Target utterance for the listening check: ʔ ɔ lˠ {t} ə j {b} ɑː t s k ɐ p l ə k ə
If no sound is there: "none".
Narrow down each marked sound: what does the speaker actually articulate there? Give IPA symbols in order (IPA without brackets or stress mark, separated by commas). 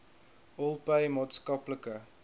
p, m